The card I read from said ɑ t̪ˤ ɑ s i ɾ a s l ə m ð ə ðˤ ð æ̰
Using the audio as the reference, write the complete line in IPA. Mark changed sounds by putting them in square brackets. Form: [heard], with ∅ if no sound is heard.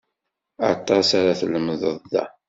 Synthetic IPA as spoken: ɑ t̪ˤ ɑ s [a] ɾ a [θ] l ə m ð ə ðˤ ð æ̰